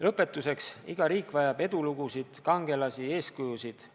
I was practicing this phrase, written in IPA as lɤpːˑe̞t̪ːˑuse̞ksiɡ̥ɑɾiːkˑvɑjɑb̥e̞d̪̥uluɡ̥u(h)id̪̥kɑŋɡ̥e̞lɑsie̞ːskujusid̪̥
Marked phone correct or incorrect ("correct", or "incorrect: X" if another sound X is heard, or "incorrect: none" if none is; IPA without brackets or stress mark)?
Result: incorrect: s